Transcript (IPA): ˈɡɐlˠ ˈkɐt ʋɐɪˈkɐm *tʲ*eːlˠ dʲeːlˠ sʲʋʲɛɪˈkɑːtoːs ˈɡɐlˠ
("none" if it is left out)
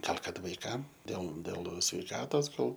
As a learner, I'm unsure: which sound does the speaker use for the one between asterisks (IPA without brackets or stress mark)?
dʲ